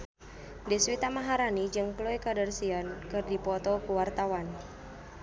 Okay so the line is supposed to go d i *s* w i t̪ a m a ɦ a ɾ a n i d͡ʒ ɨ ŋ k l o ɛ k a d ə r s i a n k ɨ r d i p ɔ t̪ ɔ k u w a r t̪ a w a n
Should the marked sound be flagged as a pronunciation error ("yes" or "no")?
no